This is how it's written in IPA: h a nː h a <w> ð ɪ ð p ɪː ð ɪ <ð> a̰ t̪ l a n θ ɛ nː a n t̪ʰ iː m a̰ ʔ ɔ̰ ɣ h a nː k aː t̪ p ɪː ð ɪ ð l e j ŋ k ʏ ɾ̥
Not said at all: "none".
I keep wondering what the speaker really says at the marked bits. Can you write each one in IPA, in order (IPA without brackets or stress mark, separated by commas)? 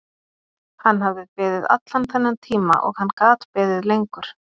v, ð